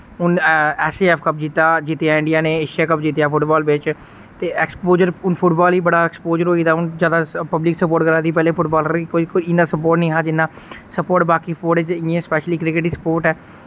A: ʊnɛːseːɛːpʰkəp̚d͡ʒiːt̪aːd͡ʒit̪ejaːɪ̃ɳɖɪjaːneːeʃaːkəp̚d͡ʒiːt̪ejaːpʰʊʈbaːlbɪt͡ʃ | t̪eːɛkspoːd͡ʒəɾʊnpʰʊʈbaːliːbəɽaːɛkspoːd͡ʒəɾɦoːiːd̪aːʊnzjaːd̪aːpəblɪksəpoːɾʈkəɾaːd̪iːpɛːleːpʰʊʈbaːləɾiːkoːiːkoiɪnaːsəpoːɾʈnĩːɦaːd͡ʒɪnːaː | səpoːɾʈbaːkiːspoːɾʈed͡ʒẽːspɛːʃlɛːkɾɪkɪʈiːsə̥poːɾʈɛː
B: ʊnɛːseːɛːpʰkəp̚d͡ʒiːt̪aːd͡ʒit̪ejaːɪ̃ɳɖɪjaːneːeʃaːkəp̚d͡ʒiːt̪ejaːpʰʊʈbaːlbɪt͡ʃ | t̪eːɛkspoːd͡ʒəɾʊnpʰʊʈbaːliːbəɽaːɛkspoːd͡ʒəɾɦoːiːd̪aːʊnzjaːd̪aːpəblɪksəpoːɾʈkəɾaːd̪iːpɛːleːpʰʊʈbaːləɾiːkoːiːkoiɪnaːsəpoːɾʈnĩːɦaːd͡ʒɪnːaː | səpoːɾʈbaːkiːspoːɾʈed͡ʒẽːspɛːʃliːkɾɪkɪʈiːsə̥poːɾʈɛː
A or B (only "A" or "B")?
B